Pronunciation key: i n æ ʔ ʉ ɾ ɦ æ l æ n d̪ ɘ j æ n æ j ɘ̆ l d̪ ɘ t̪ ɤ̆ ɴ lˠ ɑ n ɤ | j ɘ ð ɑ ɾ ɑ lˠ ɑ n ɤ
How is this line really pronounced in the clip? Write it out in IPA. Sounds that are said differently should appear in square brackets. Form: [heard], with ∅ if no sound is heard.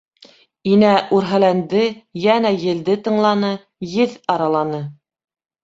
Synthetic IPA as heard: i n æ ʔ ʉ ɾ ɦ æ l æ n d̪ ɘ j æ n æ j ɘ̆ l d̪ ɘ t̪ ɤ̆ ɴ lˠ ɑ n ɤ | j ɘ ð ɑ ɾ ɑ lˠ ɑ n ɤ